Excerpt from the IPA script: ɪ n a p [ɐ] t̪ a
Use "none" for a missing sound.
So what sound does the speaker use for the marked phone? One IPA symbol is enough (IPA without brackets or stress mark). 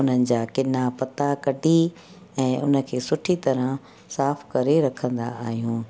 ɐ